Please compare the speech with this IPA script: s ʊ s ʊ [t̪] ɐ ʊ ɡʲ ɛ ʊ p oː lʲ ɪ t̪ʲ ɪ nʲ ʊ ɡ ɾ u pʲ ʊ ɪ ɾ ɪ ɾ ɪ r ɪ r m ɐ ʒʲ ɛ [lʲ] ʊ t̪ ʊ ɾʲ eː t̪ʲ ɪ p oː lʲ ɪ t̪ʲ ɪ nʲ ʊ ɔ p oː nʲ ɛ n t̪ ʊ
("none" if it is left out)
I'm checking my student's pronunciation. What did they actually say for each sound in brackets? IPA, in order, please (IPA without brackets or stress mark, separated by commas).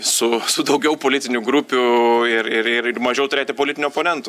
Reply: d̪, none